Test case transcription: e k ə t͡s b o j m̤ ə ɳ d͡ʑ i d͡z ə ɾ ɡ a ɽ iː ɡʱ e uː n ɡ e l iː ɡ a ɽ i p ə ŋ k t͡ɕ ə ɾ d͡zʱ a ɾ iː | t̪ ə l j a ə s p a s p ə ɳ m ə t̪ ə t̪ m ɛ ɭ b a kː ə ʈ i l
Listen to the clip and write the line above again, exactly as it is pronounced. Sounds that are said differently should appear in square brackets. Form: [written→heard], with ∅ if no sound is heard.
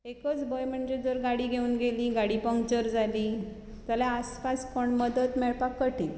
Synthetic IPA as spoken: e k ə t͡s b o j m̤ ə ɳ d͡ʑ [i→e] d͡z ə ɾ ɡ a ɽ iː ɡʱ e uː n ɡ e l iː ɡ a ɽ i p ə ŋ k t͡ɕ ə ɾ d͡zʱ a [ɾ→l] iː | t̪ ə l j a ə s p a s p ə ɳ m ə [t̪→d̪] ə t̪ m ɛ ɭ [b→p] a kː ə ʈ i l